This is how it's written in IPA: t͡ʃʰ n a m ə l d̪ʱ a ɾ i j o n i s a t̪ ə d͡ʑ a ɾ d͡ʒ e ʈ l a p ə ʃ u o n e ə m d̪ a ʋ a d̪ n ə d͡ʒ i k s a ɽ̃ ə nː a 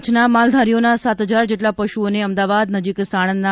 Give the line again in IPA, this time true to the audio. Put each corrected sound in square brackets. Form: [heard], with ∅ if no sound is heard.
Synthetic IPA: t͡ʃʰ n a m [a] l d̪ʱ a ɾ i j o n [a] s a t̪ ə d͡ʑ a ɾ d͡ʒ e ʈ l a p ə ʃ u o n e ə m d̪ a ʋ a d̪ n ə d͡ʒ i k s a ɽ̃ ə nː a